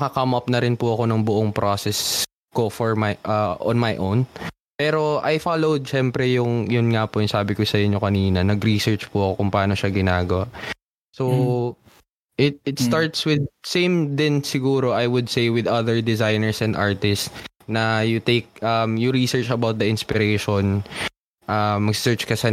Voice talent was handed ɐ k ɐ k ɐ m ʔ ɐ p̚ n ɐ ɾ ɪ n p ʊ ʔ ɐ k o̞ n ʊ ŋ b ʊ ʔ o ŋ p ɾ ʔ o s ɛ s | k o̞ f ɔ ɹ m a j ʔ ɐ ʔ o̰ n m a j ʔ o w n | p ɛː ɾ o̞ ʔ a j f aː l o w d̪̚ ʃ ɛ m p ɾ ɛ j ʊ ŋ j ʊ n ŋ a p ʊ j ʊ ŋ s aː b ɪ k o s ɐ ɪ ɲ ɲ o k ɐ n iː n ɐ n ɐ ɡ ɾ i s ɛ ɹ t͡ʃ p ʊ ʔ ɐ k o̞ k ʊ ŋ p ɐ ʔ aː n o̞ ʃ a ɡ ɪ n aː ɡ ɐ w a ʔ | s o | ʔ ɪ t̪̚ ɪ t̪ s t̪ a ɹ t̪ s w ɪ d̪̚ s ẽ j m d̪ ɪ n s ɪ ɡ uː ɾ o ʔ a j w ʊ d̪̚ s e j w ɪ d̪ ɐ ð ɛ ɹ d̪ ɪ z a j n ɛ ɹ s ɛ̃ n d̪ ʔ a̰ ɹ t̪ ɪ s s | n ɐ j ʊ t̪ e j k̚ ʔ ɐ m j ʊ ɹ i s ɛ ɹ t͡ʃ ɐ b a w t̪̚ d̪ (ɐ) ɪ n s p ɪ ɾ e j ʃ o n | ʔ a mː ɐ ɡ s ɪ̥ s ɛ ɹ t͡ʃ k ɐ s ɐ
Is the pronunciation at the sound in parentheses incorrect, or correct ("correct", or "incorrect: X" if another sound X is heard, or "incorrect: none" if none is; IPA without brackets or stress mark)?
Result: correct